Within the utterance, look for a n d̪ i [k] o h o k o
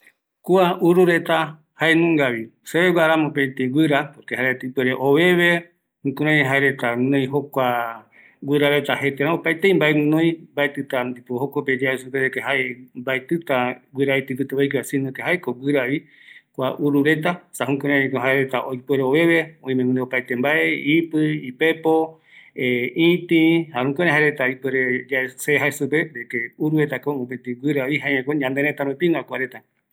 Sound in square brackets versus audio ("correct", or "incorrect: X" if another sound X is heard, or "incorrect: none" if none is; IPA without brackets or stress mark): incorrect: p